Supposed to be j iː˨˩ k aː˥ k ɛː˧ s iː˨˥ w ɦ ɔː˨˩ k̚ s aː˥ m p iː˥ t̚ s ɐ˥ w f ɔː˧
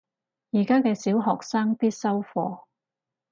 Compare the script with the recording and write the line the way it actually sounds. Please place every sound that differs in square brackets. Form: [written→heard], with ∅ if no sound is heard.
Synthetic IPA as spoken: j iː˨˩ k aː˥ k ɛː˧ s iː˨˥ w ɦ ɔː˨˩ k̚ s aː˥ [m→ŋ] p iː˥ t̚ s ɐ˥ w f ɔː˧